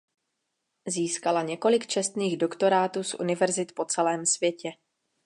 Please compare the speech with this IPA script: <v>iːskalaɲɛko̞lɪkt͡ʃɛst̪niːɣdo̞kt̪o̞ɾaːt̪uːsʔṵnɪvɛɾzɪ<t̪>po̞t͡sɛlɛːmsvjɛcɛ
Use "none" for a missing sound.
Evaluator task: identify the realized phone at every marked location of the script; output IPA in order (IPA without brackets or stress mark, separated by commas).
z, t̪